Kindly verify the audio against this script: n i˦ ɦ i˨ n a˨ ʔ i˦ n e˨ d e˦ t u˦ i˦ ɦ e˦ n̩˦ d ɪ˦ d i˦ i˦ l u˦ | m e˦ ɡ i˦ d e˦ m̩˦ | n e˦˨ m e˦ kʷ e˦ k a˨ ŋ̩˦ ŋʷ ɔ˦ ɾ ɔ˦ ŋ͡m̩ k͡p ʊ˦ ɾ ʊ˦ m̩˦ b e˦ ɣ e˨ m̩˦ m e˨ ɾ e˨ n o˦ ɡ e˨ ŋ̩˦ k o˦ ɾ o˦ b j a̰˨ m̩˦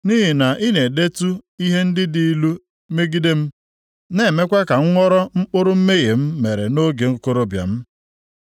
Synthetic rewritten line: n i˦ ɦ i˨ n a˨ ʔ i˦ n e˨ d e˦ t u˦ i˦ ɦ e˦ n̩˦ d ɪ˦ d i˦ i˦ l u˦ | m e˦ ɡ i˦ d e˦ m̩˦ | n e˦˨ m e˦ kʷ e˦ k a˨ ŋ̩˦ ŋʷ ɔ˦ ɾ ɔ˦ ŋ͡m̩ k͡p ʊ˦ ɾ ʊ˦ m̩˦ m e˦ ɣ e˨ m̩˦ m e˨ ɾ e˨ n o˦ ɡ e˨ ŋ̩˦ k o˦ ɾ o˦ b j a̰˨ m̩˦